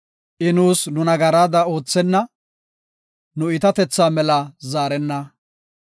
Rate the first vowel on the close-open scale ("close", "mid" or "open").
close